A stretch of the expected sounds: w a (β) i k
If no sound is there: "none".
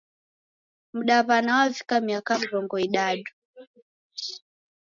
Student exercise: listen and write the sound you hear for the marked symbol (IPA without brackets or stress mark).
v